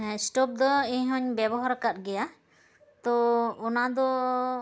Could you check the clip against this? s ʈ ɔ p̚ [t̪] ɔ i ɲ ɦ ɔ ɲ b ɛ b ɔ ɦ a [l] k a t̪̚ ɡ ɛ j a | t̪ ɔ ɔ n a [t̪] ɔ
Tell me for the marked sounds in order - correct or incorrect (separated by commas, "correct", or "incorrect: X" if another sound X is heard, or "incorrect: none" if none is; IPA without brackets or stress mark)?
incorrect: d̪, incorrect: ɾ, incorrect: d̪